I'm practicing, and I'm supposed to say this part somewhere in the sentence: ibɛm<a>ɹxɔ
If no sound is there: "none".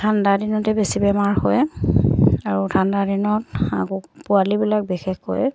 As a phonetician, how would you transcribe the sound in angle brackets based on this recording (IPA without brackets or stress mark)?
a